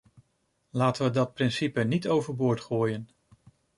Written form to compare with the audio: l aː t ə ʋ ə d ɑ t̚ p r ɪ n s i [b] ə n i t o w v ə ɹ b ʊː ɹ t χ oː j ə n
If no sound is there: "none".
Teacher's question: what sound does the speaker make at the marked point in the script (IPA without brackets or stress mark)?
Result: p